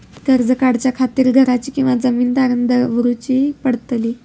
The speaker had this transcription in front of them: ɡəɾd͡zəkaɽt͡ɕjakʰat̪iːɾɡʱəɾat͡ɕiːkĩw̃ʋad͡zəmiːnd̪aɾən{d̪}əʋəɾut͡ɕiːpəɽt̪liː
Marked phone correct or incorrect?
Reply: correct